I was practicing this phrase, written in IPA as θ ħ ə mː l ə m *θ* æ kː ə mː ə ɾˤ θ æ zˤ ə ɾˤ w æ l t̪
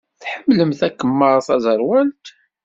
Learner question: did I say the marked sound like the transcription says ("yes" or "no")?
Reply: yes